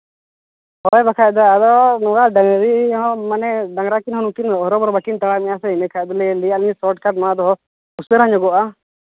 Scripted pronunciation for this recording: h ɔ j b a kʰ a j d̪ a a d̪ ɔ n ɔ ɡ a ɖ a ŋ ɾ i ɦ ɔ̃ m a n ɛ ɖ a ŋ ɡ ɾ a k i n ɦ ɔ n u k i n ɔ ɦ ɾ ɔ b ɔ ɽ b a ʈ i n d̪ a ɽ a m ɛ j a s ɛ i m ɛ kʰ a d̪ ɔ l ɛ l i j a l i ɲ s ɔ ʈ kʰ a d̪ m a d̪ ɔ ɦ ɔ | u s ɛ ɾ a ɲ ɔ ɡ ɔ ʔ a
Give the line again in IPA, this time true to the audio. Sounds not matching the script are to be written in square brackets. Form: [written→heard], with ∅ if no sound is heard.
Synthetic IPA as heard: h ɔ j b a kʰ a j d̪ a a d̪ ɔ n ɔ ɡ a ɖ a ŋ ɾ i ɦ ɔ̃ m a n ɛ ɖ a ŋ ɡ ɾ a k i n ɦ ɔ n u k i n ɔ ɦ ɾ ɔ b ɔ [ɽ→ɾ] b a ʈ i n [d̪→t̪] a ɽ a m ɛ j a s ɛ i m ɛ kʰ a d̪ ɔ l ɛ l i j a l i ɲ s ɔ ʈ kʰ a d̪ m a d̪ ɔ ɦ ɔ | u s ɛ ɾ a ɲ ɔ ɡ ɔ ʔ a

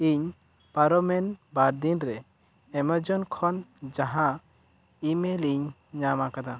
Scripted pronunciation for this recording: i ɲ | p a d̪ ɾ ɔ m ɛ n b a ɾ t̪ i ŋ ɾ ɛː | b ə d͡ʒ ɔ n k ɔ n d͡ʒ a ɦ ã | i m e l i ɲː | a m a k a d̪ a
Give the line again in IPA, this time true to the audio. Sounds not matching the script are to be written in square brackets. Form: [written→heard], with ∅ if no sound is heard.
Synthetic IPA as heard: i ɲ | p a [d̪→∅] ɾ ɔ m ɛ n b a ɾ [t̪→d̪] i [ŋ→n] ɾ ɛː | [b→m] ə d͡ʒ ɔ n [k→kʰ] ɔ n d͡ʒ a ɦ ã | i m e l i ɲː | a m a k a d̪ a

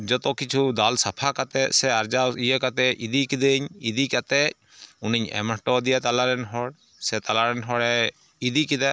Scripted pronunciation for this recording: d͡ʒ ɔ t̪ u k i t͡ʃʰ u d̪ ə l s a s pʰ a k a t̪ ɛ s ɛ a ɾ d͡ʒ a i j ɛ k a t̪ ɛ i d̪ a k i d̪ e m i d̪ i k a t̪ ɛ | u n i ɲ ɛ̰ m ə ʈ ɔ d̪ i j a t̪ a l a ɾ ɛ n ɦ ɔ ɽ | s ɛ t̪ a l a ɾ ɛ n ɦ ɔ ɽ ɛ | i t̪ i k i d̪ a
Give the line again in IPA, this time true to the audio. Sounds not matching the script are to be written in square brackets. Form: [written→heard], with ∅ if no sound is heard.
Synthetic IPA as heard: d͡ʒ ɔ t̪ [u→ɔ] k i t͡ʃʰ u d̪ [ə→a] l s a [s→∅] pʰ a k a t̪ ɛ s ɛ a ɾ d͡ʒ a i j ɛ k a t̪ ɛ i d̪ [a→i] k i d̪ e [m→ɲ] i d̪ i k a t̪ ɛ | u n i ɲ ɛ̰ m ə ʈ ɔ d̪ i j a t̪ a l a ɾ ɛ n ɦ ɔ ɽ | s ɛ t̪ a l a ɾ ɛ n ɦ ɔ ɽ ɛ | i [t̪→d̪] i k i d̪ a

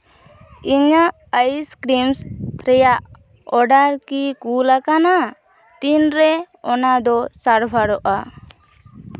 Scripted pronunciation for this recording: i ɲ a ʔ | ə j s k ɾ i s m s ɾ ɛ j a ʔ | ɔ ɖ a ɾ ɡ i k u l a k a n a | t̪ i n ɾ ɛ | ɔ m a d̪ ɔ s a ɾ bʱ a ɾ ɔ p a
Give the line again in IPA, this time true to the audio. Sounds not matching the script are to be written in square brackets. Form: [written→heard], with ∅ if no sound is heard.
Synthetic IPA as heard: i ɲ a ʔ | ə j s k ɾ i [s→∅] m s ɾ ɛ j a ʔ | ɔ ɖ a ɾ [ɡ→k] i k u l a k a n a | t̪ i n ɾ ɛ | ɔ [m→n] a d̪ ɔ s a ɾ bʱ a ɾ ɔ [p→ʔ] a

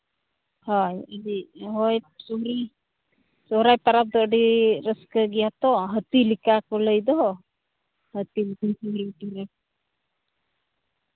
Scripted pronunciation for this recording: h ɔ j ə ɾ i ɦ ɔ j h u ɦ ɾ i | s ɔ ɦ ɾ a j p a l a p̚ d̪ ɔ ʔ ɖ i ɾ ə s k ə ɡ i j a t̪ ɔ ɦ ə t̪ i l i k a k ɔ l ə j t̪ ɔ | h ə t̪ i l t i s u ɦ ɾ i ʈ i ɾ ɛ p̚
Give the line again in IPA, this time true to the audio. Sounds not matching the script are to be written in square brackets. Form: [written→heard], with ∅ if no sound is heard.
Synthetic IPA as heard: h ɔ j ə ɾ i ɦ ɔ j [h→s] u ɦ ɾ i | s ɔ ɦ ɾ a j p a [l→ɾ] a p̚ d̪ ɔ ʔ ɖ i ɾ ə s k ə ɡ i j a t̪ ɔ ɦ ə t̪ i l i k a k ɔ l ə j [t̪→d̪] ɔ | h ə t̪ i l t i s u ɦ ɾ i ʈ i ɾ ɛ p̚

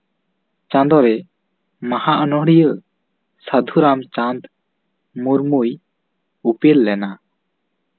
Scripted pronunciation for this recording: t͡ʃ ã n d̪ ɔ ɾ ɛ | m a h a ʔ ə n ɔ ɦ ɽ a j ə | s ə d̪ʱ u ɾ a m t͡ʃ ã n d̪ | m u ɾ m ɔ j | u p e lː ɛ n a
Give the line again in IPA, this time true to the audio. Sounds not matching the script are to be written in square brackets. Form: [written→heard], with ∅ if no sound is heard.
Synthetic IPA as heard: t͡ʃ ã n d̪ ɔ ɾ ɛ | m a h a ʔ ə n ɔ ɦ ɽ [a→i] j ə | s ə d̪ʱ u ɾ a m t͡ʃ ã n d̪ | m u ɾ m [ɔ→u] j | u p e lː ɛ n a

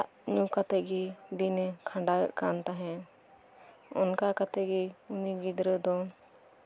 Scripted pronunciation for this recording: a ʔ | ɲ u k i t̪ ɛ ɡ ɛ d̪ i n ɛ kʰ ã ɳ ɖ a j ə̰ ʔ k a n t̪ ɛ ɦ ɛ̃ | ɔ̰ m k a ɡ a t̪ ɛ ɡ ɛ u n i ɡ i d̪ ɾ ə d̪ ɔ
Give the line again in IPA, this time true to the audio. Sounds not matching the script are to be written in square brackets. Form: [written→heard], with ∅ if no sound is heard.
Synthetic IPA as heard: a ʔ | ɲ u k [i→a] t̪ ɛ ɡ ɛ d̪ i n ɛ kʰ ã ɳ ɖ a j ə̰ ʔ k a n t̪ [ɛ→a] ɦ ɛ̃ | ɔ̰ [m→n] k a [ɡ→k] a t̪ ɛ ɡ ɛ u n i ɡ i d̪ ɾ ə d̪ ɔ

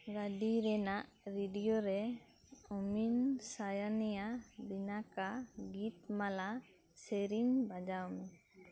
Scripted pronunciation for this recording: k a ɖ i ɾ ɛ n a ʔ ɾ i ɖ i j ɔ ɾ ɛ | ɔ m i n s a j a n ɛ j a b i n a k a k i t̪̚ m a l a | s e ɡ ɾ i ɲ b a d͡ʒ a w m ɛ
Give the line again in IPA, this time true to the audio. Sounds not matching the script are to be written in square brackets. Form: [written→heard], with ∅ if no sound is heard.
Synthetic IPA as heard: [k→ɡ] a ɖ i ɾ ɛ n a ʔ ɾ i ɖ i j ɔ ɾ ɛ | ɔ m i n s a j a n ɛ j a b i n a k a [k→ɡ] i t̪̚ m a l a | s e [ɡ→∅] ɾ i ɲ b a d͡ʒ a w m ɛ

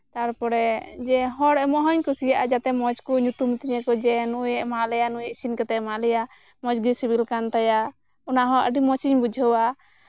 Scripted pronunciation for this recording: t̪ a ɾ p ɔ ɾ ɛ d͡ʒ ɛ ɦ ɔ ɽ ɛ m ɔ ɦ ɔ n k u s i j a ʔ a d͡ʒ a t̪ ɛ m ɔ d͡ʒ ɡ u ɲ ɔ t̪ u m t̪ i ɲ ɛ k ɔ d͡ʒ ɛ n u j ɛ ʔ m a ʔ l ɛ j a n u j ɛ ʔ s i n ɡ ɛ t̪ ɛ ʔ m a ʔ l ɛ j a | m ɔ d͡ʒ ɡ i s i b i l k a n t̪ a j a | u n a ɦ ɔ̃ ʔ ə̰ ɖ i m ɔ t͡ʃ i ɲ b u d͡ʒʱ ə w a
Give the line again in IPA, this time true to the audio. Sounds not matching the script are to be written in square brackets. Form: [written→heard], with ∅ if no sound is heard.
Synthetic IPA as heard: t̪ a ɾ p ɔ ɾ ɛ d͡ʒ ɛ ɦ ɔ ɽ ɛ m ɔ ɦ ɔ [n→ɲ] k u s i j a ʔ a d͡ʒ a t̪ ɛ m ɔ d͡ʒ [ɡ→k] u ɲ [ɔ→u] t̪ u m t̪ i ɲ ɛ k ɔ d͡ʒ ɛ n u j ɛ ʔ m a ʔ l ɛ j a n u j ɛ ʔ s i n [ɡ→k] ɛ t̪ ɛ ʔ m a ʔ l ɛ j a | m ɔ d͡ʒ ɡ i s i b i l k a n t̪ a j a | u n a ɦ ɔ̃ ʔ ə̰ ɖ i m ɔ t͡ʃ i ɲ b u d͡ʒʱ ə w a

